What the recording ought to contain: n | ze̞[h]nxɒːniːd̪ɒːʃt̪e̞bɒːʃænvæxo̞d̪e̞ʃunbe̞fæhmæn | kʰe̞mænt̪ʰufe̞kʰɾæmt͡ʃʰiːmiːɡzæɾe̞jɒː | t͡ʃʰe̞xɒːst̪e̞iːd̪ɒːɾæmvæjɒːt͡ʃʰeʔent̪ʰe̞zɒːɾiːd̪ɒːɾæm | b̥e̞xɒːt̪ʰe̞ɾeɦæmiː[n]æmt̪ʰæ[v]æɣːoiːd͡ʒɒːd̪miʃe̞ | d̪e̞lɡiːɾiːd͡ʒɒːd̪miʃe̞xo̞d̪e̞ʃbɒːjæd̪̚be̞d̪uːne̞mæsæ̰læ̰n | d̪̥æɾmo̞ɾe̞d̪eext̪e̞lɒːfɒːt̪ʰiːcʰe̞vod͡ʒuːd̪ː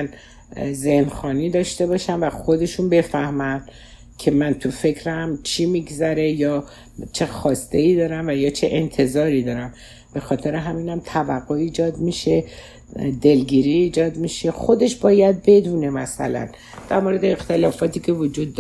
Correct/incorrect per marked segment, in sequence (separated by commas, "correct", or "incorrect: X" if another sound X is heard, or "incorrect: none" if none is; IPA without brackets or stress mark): correct, correct, correct